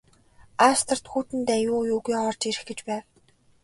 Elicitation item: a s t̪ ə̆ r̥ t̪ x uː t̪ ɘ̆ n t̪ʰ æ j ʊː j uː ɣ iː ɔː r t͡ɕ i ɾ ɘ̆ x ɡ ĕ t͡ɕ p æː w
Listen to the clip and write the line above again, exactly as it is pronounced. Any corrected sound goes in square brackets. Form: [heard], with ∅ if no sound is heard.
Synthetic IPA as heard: a s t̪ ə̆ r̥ t̪ x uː t̪ ɘ̆ n [t̪] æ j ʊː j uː ɣ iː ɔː r t͡ɕ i ɾ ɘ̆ x ɡ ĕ t͡ɕ p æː w